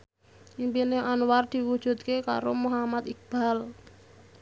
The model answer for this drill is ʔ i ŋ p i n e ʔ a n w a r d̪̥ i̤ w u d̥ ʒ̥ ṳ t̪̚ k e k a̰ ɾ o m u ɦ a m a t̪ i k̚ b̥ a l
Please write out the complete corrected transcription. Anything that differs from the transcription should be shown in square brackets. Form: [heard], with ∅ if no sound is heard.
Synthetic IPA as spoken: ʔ i [m] p i n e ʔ a n w a r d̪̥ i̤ w u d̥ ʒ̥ ṳ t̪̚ k e k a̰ ɾ o m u ɦ a m a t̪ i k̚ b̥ a l